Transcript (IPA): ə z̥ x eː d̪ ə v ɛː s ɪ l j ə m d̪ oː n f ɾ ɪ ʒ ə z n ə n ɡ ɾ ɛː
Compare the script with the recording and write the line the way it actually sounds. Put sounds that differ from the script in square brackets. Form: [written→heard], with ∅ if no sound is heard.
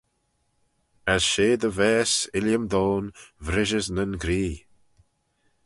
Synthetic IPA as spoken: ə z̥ [x→ʃ] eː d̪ ə v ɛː s ɪ l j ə m d̪ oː n [f→v] ɾ ɪ ʒ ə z n ə n ɡ ɾ [ɛː→iː]